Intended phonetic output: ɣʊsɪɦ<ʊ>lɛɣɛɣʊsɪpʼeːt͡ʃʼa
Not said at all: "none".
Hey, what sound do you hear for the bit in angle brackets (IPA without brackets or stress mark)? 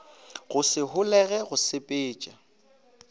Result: ʊ